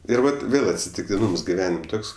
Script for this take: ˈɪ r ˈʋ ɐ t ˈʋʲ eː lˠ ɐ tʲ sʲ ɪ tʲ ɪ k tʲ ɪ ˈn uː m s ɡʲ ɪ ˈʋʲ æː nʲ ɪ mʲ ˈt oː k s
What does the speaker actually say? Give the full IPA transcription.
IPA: ˈɪ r ˈʋ ɐ t ˈʋʲ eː lˠ ɐ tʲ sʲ ɪ tʲ ɪ k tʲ ɪ ˈn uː m s ɡʲ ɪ ˈʋʲ æː nʲ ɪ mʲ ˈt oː k s